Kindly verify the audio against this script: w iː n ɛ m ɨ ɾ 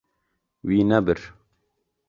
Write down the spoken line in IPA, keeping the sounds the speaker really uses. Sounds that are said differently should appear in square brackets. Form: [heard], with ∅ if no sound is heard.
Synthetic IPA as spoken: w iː n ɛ [b] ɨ ɾ